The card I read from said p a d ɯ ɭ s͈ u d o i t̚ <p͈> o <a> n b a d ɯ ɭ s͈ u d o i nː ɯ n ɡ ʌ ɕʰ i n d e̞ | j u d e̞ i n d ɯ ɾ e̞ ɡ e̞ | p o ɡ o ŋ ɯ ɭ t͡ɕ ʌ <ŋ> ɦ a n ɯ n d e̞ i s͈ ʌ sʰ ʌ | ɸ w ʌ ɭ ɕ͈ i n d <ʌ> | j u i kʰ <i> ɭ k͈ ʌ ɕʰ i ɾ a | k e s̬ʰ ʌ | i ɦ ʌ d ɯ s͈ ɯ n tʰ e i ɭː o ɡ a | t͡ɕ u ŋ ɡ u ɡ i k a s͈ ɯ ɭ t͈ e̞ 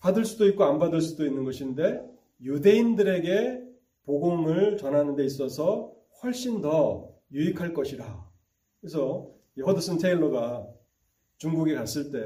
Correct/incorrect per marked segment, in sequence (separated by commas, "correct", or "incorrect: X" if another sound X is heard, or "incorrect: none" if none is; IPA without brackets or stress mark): incorrect: k͈, correct, incorrect: n, correct, incorrect: a